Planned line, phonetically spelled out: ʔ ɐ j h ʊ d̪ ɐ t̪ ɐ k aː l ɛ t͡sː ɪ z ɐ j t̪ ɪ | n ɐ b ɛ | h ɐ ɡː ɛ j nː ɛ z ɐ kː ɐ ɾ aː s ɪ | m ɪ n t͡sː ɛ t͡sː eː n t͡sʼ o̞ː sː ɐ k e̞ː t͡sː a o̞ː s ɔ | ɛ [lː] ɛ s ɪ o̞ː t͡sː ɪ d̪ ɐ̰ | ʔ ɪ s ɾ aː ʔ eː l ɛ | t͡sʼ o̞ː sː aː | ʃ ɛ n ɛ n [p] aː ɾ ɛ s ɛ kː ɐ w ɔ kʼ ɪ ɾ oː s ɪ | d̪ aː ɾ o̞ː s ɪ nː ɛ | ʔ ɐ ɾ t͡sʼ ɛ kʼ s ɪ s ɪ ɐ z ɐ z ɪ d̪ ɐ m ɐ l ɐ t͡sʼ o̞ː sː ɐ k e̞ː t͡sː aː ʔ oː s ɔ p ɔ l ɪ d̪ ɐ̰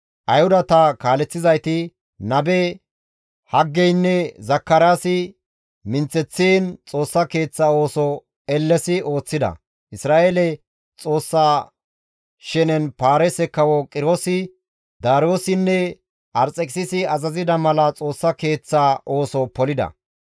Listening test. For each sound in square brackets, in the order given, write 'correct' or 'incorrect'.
correct, correct

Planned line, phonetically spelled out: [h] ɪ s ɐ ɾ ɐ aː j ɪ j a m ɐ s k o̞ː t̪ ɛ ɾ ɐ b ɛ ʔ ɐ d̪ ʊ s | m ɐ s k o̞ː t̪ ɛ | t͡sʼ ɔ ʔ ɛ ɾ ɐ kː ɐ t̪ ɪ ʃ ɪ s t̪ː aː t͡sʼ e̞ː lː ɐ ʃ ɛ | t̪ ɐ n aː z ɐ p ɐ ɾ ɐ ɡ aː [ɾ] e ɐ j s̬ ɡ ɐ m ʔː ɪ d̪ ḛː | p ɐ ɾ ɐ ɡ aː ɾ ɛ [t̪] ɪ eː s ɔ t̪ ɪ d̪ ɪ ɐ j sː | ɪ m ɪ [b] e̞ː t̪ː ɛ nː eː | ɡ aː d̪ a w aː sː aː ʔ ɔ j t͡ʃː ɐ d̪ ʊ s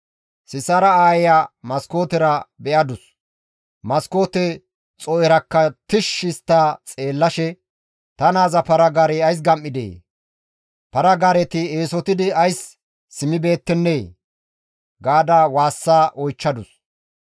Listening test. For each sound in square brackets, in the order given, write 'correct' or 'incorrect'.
incorrect, correct, correct, correct

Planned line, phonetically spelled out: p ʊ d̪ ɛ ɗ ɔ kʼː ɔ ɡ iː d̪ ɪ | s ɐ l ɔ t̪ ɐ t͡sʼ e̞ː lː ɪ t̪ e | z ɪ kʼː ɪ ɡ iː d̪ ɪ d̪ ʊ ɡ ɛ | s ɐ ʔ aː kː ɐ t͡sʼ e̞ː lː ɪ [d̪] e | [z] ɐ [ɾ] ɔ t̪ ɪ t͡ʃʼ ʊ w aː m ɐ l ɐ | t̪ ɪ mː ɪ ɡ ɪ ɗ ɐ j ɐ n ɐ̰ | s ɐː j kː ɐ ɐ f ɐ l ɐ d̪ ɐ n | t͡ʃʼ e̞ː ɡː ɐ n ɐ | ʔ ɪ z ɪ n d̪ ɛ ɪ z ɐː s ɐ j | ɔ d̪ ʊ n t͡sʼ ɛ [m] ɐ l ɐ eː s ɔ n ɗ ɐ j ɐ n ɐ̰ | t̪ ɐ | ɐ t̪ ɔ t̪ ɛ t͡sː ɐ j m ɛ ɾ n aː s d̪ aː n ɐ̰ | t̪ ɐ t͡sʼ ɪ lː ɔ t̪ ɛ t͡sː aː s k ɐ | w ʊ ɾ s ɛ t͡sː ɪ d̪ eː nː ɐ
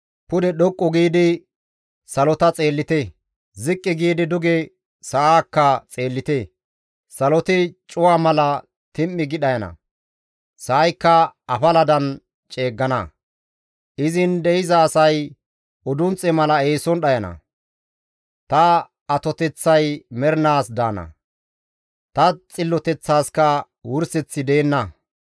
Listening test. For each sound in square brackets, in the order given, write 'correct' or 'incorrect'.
incorrect, incorrect, incorrect, correct

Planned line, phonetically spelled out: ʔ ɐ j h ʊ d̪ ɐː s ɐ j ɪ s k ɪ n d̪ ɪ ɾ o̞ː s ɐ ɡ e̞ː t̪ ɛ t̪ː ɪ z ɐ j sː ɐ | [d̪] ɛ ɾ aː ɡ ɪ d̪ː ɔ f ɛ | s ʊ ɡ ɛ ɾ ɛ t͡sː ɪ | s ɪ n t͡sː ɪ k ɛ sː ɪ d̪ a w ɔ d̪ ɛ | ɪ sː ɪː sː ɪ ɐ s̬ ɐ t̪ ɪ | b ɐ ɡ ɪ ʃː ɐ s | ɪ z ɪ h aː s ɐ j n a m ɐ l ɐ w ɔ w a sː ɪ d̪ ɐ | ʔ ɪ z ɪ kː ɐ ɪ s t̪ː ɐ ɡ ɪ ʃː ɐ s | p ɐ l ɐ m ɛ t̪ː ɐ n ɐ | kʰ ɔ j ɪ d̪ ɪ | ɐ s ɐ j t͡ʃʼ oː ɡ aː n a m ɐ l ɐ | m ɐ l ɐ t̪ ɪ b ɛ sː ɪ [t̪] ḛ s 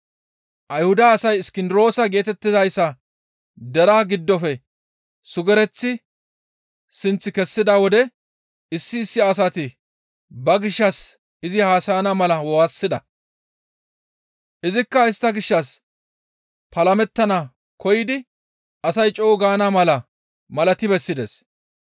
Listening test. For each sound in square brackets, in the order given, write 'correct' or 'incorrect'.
correct, incorrect

